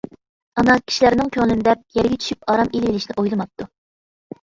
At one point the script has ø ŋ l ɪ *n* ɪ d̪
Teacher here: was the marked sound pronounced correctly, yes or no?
yes